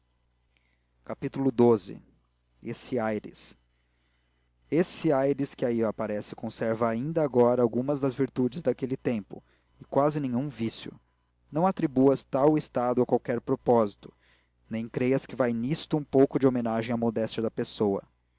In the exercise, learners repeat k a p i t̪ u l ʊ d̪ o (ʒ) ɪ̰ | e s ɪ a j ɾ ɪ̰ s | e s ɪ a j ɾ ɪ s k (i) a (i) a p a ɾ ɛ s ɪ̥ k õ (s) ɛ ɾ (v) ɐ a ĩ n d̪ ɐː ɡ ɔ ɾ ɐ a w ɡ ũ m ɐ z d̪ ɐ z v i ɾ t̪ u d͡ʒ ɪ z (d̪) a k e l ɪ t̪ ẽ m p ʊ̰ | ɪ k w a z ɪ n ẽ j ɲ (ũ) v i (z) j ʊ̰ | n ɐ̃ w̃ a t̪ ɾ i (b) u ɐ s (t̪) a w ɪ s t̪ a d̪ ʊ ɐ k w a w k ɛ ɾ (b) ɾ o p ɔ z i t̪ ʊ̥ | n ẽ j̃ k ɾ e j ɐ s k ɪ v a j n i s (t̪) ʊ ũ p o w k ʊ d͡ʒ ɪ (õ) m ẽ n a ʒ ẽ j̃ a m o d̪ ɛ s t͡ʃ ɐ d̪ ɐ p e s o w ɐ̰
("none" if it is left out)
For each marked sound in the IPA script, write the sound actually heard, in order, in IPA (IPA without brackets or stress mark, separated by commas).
z, ɪ, i, s, v, d̪, ũ, s, b, t̪, p, t̪, o